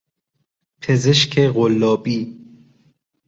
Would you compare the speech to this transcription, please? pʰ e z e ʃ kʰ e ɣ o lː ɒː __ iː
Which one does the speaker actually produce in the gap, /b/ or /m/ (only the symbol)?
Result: b